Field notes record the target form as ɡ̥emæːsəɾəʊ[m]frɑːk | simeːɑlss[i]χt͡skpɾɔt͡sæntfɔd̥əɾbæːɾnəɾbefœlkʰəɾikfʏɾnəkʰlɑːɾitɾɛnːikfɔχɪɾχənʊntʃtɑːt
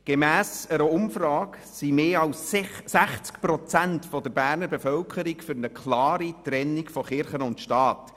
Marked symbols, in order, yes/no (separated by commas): yes, no